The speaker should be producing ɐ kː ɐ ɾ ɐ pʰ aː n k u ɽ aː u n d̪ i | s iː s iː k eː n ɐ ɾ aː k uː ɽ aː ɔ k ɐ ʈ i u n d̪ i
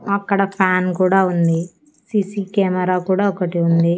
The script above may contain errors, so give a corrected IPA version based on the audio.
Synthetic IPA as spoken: ɐ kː ɐ ɽ ɐ pʰ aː n k uː ɽ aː u n d̪ i | s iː s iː k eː m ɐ ɾ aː k uː ɽ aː ɔ k ɐ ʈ i u n d̪ i

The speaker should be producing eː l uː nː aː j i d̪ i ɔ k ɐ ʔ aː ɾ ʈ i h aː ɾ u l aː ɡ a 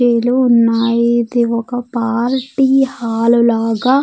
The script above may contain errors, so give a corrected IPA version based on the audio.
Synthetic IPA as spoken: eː l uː nː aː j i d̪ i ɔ k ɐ p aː ɾ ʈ i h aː l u l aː ɡ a

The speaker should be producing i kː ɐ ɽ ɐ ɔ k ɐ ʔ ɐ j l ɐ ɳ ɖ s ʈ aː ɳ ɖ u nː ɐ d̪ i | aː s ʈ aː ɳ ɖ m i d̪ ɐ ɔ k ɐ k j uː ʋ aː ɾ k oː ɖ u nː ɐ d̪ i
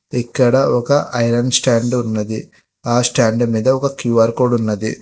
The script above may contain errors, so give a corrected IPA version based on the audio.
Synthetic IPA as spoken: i kː ɐ ɽ ɐ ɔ k ɐ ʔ ɐ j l ɐ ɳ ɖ s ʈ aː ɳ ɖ u nː ɐ d̪ i | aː s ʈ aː ɳ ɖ m iː d̪ ɐ ɔ k ɐ k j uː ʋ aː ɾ k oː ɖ u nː ɐ d̪ i

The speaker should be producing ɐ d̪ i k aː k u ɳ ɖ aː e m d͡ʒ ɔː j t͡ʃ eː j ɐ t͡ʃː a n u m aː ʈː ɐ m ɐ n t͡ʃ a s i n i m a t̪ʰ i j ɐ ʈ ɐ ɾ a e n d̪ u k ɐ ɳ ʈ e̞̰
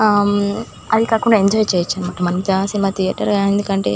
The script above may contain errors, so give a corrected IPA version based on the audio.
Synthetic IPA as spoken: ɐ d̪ i k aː k u ɳ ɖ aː e ɲ d͡ʒ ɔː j t͡ʃ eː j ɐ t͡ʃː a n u m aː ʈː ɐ m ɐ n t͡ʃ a s i n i m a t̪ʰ i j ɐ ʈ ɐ ɾ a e n d̪ u k ɐ ɳ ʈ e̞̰

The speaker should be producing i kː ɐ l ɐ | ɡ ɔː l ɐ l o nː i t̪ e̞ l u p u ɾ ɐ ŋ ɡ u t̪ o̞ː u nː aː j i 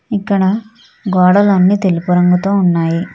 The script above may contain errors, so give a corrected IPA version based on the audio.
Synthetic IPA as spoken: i kː ɐ ɽ ɐ | ɡ ɔː ɽ ɐ l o nː i t̪ e̞ l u p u ɾ ɐ ŋ ɡ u t̪ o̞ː u nː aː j i

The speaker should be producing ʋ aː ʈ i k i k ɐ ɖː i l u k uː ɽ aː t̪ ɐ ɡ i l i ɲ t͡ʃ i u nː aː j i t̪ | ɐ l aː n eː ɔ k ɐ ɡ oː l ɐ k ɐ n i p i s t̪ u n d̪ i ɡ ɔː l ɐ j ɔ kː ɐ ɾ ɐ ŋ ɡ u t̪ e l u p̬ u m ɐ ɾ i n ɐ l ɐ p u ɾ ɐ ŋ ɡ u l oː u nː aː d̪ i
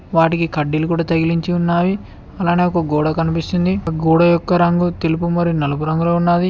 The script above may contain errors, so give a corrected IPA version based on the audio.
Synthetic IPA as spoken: ʋ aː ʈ i k i k ɐ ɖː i l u k uː ɽ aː t̪ ɐ ɡ i l i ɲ t͡ʃ i u nː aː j i | ɐ l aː n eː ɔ k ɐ ɡ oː ɽ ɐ k ɐ n i p i s t̪ u n d̪ i ɡ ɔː ɽ ɐ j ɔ kː ɐ ɾ ɐ ŋ ɡ u t̪ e l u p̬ u m ɐ ɾ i n ɐ l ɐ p u ɾ ɐ ŋ ɡ u l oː u nː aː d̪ i

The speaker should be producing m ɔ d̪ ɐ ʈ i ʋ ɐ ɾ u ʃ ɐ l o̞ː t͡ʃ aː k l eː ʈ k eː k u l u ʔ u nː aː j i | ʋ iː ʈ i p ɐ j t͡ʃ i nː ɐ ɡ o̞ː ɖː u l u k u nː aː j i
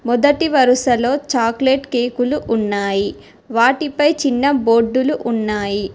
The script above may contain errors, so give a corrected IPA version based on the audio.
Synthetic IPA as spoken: m ɔ d̪ ɐ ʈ i ʋ ɐ ɾ u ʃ ɐ l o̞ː t͡ʃ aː k l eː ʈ k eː k u l u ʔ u nː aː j i | ʋ aː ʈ i p ɐ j t͡ʃ i nː ɐ b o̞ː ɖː u l u ʔ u nː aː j i

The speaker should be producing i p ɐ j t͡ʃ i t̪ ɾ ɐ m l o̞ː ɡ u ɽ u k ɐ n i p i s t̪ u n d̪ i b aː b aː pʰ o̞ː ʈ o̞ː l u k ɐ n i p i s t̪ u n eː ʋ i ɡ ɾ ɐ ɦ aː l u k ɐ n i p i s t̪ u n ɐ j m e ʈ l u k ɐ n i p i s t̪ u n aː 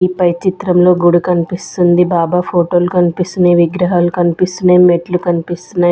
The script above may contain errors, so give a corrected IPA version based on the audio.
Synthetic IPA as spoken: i p ɐ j t͡ʃ i t̪ ɾ ɐ m l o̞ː ɡ u ɽ u k ɐ n i p i s t̪ u n d̪ i b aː b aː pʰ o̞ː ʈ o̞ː l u k ɐ n i p i s t̪ u n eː ʋ i ɡ ɾ ɐ ɦ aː l u k ɐ n i p i s t̪ u n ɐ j m e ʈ l u k ɐ n i p i s t̪ u n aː

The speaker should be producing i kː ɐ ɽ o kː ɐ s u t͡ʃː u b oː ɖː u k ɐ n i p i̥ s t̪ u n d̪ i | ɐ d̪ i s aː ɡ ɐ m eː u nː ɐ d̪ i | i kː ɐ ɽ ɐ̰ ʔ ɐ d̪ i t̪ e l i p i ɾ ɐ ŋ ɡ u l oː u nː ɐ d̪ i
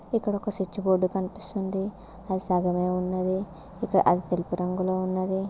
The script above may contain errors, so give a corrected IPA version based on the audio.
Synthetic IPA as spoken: i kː ɐ ɽ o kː ɐ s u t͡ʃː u b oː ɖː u k ɐ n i p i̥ s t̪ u n d̪ i | ɐ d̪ i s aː ɡ ɐ m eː u nː ɐ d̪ i | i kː ɐ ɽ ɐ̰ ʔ ɐ d̪ i t̪ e l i p i ɾ ɐ ŋ ɡ u l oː u nː ɐ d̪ i

